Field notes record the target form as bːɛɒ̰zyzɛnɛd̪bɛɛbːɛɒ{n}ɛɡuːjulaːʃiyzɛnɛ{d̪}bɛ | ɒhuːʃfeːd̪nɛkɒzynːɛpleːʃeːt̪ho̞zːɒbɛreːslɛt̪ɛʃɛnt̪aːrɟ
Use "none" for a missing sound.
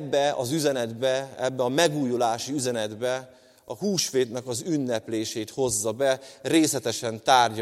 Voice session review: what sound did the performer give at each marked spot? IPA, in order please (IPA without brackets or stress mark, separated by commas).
m, d̪